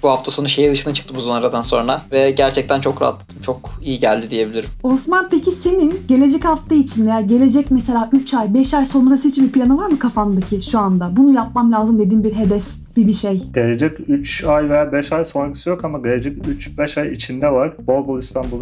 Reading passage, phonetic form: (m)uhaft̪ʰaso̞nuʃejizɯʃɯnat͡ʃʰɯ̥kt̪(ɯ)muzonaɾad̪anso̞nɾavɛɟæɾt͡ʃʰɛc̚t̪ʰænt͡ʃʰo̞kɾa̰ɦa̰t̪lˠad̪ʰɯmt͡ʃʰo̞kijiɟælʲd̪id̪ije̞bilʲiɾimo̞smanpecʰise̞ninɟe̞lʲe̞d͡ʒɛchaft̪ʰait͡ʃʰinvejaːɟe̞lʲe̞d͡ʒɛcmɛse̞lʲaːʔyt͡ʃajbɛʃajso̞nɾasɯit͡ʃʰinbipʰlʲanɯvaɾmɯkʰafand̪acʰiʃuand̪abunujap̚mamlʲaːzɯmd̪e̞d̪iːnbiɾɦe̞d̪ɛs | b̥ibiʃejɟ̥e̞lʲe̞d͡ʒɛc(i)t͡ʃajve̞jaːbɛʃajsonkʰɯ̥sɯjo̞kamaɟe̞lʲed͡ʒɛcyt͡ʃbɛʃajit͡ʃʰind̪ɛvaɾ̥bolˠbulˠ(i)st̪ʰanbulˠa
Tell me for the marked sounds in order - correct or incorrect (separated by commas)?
incorrect, correct, incorrect, correct